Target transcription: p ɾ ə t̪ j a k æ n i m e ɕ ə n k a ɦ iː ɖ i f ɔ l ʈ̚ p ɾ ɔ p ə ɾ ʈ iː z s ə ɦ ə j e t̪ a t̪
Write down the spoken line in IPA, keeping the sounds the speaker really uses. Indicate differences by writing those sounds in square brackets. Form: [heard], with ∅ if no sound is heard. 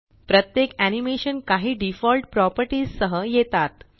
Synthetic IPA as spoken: p ɾ ə t̪ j [e] k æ n i m e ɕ ə n k a ɦ iː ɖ i f ɔ l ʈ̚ p ɾ ɔ p ə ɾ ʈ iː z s ə ɦ ə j e t̪ a t̪